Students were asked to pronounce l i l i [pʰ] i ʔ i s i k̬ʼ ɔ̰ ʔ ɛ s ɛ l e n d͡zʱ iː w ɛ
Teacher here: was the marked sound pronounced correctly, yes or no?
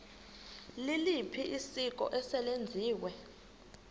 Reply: yes